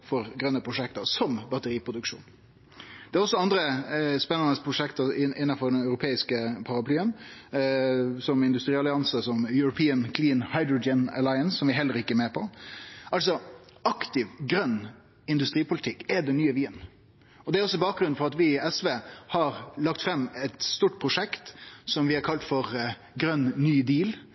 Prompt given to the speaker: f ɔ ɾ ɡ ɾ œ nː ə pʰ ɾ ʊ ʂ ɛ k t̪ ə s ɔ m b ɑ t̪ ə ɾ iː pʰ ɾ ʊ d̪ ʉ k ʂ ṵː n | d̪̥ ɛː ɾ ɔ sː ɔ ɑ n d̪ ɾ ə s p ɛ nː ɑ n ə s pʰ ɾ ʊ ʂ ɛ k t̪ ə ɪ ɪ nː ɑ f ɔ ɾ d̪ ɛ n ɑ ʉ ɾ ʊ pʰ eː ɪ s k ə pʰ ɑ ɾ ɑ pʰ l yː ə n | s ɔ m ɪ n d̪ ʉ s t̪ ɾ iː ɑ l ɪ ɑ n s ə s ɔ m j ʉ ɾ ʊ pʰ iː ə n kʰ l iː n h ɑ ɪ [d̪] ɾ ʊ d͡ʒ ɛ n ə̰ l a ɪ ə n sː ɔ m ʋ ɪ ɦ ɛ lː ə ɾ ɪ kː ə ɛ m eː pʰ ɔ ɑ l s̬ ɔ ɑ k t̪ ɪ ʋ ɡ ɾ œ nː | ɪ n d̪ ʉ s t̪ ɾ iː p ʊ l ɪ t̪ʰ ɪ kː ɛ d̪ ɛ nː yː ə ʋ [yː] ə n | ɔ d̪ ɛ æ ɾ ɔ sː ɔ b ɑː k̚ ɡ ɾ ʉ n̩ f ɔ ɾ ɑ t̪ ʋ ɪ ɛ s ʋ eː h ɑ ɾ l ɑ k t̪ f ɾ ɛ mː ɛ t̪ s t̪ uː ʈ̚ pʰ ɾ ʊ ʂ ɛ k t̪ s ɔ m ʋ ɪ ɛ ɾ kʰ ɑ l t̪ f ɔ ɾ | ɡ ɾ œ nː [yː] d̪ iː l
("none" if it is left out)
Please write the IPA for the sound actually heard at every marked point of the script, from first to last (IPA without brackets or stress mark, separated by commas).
d̪, iː, yː